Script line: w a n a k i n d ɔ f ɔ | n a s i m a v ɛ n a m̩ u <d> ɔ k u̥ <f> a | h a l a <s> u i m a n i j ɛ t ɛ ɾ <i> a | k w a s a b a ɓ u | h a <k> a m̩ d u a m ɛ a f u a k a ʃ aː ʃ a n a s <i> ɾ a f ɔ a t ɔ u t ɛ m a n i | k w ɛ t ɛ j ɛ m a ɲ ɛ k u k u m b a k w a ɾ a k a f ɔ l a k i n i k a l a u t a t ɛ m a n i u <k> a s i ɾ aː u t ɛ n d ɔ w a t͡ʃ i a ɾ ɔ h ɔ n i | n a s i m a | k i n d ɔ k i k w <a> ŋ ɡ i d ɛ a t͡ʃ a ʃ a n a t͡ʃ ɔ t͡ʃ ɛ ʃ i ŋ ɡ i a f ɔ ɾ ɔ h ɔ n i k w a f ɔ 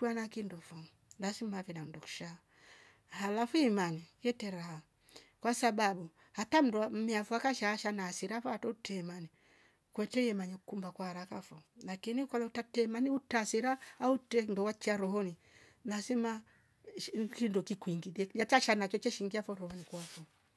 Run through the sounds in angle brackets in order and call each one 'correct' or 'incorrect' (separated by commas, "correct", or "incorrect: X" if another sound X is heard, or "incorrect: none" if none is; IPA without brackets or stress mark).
correct, incorrect: ʃ, incorrect: f, incorrect: a, incorrect: t, correct, incorrect: t, incorrect: i